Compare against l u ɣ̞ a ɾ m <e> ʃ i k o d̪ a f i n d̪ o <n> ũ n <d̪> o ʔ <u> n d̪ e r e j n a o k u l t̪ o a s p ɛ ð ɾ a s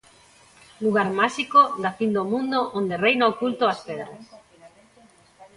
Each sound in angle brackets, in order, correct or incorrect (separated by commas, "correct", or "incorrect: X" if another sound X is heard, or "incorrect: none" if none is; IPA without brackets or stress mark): incorrect: a, incorrect: m, correct, incorrect: o